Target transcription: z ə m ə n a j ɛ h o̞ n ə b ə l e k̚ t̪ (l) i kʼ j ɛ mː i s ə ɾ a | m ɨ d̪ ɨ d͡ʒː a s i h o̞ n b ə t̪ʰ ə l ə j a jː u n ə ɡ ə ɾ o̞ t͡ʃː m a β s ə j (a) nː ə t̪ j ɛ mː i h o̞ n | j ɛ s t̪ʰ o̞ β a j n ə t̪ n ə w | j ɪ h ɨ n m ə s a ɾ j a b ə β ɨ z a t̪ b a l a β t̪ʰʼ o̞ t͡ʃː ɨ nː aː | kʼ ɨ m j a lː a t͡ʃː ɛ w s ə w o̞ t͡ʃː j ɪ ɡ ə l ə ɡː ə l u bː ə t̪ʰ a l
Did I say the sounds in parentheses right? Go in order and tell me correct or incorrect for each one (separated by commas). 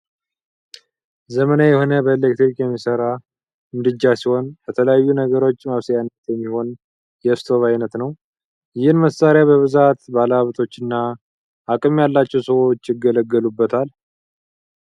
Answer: incorrect, correct